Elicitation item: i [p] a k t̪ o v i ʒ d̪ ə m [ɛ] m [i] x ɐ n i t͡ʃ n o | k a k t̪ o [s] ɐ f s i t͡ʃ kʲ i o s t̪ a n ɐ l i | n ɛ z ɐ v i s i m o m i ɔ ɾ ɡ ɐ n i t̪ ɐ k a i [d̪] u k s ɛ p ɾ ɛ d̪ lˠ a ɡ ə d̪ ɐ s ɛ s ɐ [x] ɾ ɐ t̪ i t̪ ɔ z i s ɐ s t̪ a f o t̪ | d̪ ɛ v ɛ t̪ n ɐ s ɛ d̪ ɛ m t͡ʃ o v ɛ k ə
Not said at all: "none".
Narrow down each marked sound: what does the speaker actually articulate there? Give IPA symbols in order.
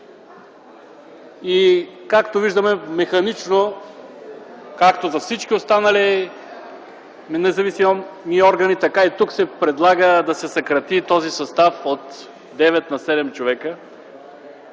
k, ɛ, ɛ, z, t̪, k

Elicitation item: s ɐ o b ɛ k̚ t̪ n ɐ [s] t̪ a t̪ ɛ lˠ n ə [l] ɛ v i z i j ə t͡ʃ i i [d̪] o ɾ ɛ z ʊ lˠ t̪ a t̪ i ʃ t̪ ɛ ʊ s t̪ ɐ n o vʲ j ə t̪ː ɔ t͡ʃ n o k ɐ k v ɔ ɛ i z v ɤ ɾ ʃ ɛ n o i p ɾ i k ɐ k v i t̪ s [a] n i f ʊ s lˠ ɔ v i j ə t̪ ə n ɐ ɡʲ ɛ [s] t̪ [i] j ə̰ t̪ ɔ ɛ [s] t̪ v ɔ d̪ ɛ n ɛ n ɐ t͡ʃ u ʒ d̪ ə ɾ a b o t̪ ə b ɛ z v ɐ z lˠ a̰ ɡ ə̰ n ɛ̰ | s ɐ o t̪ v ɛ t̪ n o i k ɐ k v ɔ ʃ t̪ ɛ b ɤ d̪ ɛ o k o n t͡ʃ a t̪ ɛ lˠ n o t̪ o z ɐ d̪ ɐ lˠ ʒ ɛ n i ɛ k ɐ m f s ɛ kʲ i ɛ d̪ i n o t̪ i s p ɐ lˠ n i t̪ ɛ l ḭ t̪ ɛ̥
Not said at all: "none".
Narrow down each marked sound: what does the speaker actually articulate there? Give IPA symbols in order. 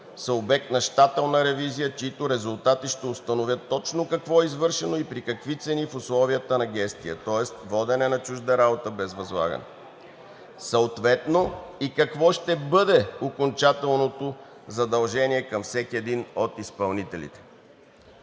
ʃ, ɾ, t̪, ɛ, s, i, s

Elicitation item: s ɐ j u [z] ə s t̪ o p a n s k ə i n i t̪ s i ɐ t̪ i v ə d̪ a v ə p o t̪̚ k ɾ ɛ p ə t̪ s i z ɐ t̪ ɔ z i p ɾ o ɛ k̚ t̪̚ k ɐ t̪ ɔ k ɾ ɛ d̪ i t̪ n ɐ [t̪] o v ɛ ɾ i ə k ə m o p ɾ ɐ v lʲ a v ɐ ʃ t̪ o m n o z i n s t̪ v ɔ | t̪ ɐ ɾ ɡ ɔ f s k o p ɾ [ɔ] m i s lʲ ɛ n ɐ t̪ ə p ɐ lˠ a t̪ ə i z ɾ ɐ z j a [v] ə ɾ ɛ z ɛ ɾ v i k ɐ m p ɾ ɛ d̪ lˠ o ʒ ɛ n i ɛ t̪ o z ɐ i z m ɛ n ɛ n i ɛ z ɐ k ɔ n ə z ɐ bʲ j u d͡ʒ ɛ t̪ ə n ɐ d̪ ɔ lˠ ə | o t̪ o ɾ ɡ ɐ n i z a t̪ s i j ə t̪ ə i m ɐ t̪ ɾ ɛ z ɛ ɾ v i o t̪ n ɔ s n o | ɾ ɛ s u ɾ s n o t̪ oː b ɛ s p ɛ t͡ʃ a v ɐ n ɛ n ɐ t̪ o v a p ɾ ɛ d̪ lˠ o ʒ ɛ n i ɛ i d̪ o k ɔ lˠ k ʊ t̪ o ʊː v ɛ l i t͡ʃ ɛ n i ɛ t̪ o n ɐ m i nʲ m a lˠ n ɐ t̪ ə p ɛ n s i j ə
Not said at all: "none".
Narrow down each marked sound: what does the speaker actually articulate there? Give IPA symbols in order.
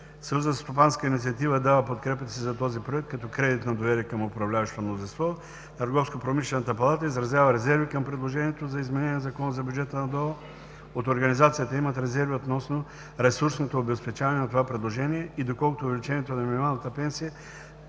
z, d̪, o, v

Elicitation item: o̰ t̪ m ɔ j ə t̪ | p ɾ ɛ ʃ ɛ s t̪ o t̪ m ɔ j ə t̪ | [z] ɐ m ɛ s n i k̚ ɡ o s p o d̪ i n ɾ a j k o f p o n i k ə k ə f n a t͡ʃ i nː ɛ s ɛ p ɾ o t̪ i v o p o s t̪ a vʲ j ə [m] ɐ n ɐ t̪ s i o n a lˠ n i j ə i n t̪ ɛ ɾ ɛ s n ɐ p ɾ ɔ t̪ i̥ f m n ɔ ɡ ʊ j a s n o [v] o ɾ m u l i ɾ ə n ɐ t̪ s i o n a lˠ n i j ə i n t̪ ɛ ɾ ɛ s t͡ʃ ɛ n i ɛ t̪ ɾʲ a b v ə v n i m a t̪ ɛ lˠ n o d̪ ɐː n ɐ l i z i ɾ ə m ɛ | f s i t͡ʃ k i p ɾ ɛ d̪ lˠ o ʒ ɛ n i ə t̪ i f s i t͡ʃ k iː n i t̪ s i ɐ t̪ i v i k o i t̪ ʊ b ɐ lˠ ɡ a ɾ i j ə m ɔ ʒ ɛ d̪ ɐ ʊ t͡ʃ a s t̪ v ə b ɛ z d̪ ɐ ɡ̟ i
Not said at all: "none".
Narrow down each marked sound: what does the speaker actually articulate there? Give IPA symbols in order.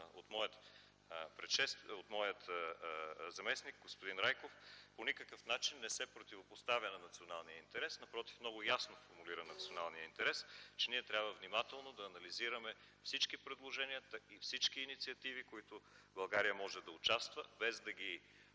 z, n, f

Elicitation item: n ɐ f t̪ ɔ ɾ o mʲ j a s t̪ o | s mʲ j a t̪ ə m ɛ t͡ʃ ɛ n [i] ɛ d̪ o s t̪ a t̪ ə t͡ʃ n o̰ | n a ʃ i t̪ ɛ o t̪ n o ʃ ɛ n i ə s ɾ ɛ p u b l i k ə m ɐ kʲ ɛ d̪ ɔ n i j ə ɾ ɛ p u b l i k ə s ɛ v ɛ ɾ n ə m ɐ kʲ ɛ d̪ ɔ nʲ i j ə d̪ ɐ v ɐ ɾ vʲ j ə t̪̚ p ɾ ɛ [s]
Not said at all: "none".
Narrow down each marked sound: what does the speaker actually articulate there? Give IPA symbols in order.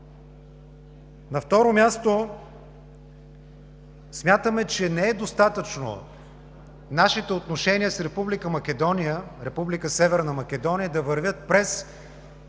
ɛ, s

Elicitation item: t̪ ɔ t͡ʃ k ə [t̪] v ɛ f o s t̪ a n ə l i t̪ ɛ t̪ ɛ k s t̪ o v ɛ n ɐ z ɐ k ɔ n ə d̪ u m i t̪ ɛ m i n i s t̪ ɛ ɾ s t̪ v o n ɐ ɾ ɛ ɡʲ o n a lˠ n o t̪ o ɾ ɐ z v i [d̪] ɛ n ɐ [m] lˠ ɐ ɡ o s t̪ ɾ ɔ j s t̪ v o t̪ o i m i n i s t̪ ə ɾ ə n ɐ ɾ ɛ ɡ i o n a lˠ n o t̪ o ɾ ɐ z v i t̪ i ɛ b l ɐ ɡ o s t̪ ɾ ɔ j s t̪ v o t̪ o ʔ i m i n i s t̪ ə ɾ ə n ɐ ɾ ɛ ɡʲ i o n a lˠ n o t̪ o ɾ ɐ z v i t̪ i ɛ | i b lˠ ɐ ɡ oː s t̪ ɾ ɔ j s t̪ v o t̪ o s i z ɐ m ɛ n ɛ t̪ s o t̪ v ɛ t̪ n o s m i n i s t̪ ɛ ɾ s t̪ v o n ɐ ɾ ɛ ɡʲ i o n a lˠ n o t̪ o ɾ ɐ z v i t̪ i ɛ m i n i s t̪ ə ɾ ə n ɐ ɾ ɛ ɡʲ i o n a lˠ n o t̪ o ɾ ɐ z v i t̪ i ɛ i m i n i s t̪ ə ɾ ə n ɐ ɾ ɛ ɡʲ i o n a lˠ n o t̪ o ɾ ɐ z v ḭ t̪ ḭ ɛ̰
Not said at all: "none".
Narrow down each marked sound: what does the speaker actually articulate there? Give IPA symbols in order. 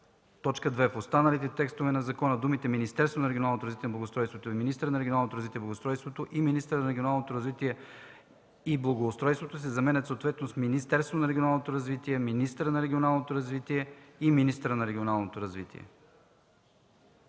d̪, t̪, b

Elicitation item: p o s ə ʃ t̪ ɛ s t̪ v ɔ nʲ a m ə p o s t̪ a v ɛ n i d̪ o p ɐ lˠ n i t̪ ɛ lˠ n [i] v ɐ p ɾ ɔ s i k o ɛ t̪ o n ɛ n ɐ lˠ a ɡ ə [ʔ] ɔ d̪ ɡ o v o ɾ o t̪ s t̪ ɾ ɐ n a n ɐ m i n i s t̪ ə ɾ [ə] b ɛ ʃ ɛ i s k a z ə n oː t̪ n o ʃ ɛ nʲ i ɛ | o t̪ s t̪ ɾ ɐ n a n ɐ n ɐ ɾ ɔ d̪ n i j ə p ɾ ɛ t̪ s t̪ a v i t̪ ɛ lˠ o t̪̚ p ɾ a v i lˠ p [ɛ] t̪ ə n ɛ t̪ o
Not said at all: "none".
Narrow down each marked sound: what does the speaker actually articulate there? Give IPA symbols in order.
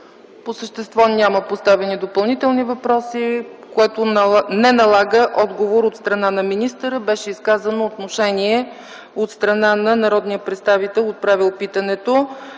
i, ʔ, ə, i

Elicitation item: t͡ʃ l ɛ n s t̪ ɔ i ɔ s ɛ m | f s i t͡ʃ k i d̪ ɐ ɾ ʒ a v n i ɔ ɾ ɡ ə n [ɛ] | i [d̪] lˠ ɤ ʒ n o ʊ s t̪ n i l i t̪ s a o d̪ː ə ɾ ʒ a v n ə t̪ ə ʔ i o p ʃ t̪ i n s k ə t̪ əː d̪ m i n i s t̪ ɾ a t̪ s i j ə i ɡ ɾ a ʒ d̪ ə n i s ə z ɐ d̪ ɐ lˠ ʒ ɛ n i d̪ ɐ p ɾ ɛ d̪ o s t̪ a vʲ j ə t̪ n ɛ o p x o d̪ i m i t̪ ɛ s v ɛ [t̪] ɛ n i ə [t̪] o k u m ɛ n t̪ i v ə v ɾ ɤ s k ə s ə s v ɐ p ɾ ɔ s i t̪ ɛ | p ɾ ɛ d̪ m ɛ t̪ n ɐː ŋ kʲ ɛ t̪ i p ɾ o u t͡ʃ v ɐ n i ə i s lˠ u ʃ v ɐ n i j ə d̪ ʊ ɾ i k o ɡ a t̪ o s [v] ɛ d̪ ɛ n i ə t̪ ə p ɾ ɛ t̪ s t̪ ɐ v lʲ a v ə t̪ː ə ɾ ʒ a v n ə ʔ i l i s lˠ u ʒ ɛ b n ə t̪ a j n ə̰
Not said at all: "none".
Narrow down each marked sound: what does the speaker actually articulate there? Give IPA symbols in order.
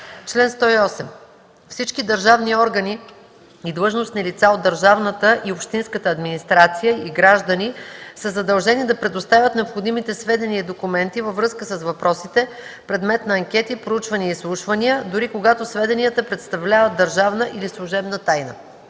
i, d̪, d̪, d̪, v

